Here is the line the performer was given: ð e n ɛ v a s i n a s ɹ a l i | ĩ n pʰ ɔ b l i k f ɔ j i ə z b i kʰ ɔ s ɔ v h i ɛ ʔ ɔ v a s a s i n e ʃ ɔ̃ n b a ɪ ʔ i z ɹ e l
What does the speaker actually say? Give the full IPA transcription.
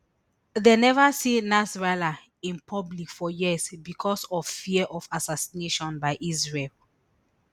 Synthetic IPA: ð e n ɛ v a s i n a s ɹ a l a | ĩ n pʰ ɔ b l i k f ɔ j i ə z b i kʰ ɔ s ɔ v f i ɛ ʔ ɔ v a s a s i n e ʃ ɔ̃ n b a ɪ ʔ i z ɹ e l